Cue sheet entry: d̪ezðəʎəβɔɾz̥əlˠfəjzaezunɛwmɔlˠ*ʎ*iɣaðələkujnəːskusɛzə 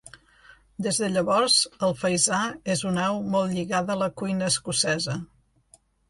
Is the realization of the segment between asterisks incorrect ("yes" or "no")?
no